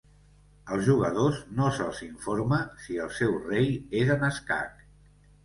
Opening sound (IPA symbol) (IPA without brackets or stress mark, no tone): ə